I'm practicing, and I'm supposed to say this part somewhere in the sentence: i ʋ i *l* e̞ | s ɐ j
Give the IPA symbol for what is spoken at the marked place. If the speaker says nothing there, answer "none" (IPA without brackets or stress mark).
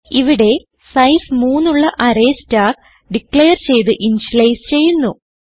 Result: ɽ